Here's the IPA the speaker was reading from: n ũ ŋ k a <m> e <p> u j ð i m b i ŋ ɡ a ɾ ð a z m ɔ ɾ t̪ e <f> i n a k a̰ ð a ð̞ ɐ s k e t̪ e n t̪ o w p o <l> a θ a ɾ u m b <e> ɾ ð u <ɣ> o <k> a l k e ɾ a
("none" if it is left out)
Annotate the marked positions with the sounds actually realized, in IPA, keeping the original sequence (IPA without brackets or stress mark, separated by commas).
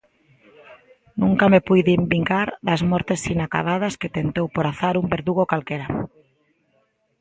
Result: m, p, s, ɾ, e, ɣ, k